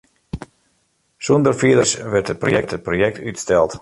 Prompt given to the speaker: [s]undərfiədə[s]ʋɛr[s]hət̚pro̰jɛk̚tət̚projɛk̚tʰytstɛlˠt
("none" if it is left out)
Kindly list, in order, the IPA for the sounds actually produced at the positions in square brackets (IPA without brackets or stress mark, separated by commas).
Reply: s, s, t